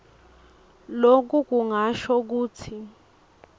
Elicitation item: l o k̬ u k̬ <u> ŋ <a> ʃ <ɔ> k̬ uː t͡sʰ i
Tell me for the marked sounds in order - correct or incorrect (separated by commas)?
correct, correct, correct